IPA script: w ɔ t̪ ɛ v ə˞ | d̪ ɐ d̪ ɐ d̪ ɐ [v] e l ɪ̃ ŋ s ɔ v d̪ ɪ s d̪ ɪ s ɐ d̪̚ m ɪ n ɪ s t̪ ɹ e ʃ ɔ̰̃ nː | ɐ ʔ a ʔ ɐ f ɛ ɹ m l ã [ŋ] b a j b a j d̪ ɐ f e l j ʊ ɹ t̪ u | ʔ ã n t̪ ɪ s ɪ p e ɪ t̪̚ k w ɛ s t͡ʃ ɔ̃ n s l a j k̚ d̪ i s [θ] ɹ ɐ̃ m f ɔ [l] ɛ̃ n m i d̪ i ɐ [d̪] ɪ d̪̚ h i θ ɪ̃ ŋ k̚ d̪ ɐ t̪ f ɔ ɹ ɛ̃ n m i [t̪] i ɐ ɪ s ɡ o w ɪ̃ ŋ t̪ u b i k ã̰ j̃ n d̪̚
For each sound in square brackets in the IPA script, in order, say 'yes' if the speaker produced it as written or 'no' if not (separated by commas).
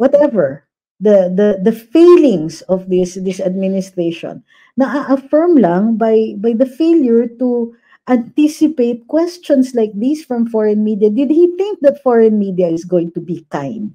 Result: no, yes, no, no, yes, no